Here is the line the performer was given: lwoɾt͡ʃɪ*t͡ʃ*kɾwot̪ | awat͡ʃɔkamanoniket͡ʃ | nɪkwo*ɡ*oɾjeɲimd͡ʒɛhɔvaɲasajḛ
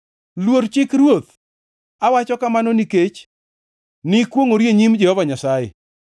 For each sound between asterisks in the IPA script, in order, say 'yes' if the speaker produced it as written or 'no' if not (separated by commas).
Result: no, no